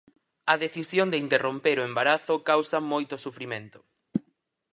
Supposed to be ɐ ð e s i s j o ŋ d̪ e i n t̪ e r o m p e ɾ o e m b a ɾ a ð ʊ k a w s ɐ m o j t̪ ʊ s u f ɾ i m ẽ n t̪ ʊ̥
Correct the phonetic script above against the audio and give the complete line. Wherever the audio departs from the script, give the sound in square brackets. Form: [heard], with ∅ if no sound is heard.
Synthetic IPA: ɐ ð e [θ] i s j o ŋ d̪ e i n t̪ e r o m p e ɾ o e m b a ɾ a [θ] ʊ k a w s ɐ m o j t̪ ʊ s u f ɾ i m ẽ n t̪ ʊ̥